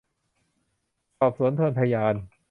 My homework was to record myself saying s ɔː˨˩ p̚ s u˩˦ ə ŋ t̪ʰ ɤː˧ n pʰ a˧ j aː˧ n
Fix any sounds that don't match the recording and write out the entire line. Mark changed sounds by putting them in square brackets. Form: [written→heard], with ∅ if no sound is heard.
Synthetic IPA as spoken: s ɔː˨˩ p̚ s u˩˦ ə [ŋ→n] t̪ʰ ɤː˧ n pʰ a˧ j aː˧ n